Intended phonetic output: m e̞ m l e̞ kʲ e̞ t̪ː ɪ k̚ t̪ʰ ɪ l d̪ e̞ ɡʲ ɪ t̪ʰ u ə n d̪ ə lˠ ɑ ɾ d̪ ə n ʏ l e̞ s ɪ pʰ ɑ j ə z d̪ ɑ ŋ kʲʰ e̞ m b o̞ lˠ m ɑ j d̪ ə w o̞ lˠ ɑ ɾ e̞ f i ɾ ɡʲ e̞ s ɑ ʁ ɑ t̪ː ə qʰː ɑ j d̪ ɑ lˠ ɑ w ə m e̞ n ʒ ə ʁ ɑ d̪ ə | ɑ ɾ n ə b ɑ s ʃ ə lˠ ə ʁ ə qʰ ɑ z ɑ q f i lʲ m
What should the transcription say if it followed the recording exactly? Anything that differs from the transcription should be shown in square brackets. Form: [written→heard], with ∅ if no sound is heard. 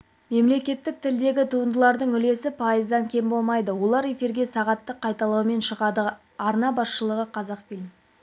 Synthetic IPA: m e̞ m l e̞ kʲ e̞ t̪ː ɪ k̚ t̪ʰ ɪ l d̪ e̞ ɡʲ ɪ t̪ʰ u ə n d̪ ə lˠ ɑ ɾ d̪ ə [n→ɴ] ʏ l e̞ s ɪ pʰ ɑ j ə z d̪ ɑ ŋ kʲʰ e̞ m b o̞ lˠ m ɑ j d̪ ə w o̞ lˠ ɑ ɾ e̞ f i ɾ ɡʲ e̞ s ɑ ʁ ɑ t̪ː ə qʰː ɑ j [d̪→t̪] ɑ lˠ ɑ w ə m e̞ n [ʒ→ʃ] ə ʁ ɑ d̪ ə | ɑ ɾ n [ə→ɑ] b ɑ s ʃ ə lˠ ə ʁ ə qʰ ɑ z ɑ q f i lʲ m